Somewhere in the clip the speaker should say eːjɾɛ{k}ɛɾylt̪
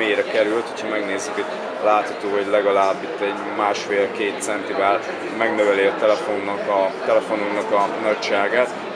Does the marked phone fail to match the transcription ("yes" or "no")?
no